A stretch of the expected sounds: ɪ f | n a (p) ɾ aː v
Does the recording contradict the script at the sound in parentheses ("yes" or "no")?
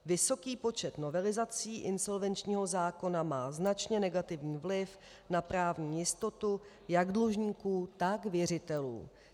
no